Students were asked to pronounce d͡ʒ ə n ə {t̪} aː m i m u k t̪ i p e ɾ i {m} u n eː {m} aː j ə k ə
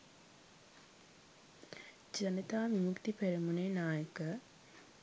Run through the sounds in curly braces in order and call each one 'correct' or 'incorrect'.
correct, correct, incorrect: n

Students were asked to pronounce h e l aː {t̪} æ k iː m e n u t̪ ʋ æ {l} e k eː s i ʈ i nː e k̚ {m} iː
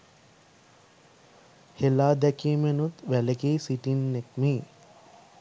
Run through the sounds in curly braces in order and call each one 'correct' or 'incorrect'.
incorrect: d̪, correct, correct

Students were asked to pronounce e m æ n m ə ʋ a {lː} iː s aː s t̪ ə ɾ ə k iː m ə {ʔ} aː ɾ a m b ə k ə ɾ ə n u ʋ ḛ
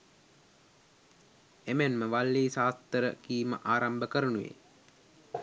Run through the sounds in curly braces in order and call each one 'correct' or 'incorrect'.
correct, correct

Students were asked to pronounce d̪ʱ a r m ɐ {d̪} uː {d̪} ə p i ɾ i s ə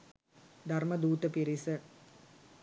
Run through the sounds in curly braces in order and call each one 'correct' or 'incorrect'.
correct, incorrect: t̪

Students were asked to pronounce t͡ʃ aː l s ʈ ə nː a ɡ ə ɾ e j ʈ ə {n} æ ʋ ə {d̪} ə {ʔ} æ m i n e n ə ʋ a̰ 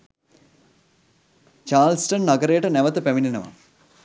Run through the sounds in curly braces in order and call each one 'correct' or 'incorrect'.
correct, incorrect: t̪, incorrect: p

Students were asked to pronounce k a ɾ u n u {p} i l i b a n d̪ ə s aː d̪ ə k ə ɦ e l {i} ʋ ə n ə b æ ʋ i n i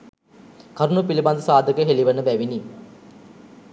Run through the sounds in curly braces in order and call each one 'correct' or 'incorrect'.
correct, correct

